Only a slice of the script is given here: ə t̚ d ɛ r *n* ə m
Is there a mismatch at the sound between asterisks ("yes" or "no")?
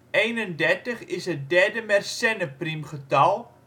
yes